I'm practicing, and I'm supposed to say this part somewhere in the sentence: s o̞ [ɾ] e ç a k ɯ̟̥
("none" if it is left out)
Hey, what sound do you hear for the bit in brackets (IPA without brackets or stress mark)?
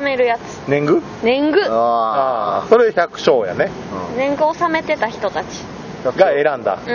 ɾ